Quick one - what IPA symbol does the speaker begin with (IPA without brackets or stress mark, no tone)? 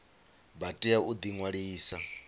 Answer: b